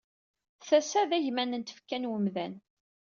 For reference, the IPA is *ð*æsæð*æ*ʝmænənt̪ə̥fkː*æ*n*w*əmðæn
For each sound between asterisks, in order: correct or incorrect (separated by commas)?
incorrect, correct, correct, correct